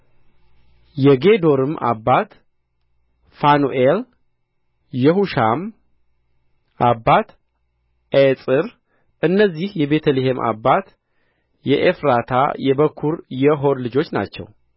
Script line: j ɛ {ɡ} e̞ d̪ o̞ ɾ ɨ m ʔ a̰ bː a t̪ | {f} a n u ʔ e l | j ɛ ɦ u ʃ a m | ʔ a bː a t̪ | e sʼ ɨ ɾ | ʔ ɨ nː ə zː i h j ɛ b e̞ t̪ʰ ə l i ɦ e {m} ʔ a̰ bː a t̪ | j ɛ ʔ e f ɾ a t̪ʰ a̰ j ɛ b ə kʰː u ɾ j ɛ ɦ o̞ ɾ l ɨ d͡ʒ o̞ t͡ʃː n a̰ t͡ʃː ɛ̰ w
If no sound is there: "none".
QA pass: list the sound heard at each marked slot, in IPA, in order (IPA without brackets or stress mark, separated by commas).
ɡ, f, m